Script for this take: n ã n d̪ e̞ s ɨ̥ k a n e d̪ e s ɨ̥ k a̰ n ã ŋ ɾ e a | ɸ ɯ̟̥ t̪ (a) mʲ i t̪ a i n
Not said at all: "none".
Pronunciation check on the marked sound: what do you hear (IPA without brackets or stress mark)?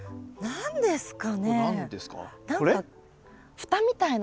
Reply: a